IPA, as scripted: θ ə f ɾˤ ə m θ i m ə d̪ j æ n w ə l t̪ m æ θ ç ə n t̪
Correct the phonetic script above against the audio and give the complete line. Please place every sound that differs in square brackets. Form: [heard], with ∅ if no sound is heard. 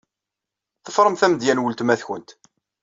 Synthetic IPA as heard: θ ə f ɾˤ ə m θ [æ] m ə d̪ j æ n w ə l t̪ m æ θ ç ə n t̪